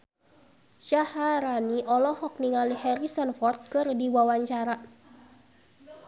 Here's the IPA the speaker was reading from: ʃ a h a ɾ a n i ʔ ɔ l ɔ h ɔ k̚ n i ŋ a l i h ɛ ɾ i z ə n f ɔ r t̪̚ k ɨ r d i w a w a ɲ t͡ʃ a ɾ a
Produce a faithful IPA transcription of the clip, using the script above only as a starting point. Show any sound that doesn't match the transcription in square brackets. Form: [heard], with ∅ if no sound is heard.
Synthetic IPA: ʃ a h a ɾ a n i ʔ ɔ l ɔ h ɔ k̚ n i ŋ a l i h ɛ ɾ i [s] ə n f ɔ r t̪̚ k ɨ r d i w a w a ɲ t͡ʃ a ɾ a